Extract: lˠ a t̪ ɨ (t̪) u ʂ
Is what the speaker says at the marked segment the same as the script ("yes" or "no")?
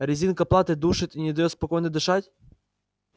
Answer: no